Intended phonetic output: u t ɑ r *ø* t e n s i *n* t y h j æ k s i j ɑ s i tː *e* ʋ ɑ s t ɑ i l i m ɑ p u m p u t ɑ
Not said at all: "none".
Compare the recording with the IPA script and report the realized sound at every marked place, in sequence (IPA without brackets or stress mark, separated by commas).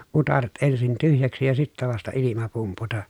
e, n, æ